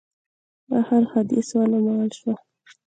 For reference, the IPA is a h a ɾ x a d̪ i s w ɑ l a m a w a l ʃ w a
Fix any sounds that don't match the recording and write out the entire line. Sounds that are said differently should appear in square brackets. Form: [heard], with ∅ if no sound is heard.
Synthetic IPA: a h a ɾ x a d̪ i s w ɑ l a m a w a l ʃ w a